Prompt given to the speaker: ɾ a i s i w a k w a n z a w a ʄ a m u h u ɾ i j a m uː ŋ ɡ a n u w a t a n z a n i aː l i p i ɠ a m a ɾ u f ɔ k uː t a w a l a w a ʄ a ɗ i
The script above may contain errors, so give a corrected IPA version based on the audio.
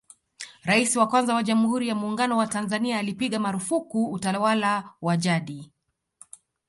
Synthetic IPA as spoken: ɾ a i s i w a k w a n z a w a ʄ a m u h u ɾ i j a m uː ŋ ɡ a n ɔ w a t a n z a n i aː l i p i ɠ a m a ɾ u f u k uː t a w a l a w a ʄ a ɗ i

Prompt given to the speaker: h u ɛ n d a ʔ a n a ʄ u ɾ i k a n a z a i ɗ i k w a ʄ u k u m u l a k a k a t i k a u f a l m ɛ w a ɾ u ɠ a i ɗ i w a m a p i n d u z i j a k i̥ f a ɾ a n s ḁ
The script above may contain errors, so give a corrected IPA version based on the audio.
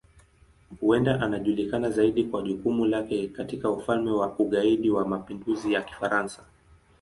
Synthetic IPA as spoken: h u ɛ n d a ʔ a n a ʄ u l i k a n a z a i ɗ i k w a ʄ u k u m u l a k ɛ k a t i k a u f a l m ɛ w a u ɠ a i ɗ i w a m a p i n d u z i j a k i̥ f a ɾ a n s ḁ

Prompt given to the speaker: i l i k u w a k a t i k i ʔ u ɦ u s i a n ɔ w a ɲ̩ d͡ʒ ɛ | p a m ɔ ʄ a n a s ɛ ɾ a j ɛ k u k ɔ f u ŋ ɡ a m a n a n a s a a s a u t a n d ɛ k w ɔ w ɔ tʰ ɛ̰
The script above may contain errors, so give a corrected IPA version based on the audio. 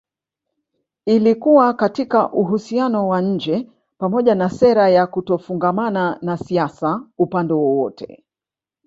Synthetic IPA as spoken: i l i k u w a k a t i k a ʔ u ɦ u s i a n ɔ w a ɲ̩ d͡ʒ ɛ | p a m ɔ ʄ a n a s ɛ ɾ a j a k u t ɔ f u ŋ ɡ a m a n a n a s i a s a u p a n d ɛ w ɔ w ɔ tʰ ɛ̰

